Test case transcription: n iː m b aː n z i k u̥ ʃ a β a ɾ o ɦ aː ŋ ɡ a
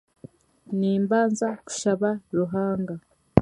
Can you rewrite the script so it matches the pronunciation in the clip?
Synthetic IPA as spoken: n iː m b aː n z a k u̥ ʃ a β a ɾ u ɦ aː ŋ ɡ a